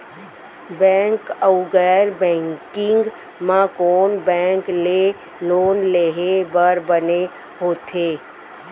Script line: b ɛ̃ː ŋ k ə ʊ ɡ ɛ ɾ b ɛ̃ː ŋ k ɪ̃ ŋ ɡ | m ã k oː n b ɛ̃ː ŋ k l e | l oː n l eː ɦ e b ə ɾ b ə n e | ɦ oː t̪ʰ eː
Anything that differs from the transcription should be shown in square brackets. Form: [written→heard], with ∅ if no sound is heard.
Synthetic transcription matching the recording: b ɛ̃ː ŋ k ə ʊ ɡ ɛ ɾ b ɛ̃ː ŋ k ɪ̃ ŋ ɡ | m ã k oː n b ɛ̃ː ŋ k l e | l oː n l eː ɦ e b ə ɾ b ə n e | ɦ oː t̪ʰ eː